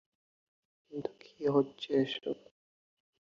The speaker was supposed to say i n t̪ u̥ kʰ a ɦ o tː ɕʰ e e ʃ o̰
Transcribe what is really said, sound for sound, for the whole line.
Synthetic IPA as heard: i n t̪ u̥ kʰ i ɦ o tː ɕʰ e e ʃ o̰